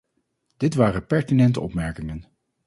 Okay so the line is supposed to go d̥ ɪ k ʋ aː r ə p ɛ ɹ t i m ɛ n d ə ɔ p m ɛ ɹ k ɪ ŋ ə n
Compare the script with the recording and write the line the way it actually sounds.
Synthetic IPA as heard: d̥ ɪ t ʋ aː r ə p ɛ ɹ t i n ɛ n t ə ɔ p m ɛ ɹ k ɪ ŋ ə n

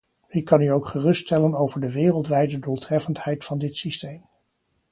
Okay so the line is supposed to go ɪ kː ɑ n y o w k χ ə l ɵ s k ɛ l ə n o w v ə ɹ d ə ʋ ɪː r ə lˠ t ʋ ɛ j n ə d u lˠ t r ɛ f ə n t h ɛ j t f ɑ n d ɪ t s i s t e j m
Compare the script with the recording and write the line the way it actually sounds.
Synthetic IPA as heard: ɪ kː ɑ n y o w k χ ə r ɵ s t ɛ l ə n o w v ə ɹ d ə ʋ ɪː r ə lˠ t ʋ ɛ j d ə d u lˠ t r ɛ f ə n t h ɛ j t f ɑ n d ɪ t s i s t e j m

